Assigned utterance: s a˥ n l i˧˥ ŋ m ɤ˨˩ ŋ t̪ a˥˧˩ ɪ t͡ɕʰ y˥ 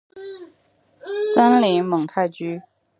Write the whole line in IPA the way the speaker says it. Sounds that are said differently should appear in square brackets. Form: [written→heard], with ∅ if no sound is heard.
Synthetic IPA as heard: s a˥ n l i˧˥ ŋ m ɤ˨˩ ŋ [t̪→t̪ʰ] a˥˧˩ ɪ [t͡ɕʰ→t͡ɕ] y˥